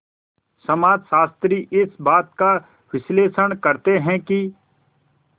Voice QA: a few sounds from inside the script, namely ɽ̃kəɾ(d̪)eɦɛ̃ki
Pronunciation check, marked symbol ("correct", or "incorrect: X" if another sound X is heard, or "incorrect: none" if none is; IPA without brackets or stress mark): incorrect: t̪